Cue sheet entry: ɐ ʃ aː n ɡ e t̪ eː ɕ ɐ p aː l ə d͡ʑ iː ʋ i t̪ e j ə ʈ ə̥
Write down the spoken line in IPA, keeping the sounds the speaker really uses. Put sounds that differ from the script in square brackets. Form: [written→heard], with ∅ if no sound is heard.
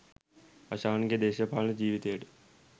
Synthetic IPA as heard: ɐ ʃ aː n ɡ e [t̪→d̪] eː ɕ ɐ p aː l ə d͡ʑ iː ʋ i t̪ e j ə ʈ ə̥